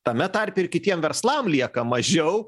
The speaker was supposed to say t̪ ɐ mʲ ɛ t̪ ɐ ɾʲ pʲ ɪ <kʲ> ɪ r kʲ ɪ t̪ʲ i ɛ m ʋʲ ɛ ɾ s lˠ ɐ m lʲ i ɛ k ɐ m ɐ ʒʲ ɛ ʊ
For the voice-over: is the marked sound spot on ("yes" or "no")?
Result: no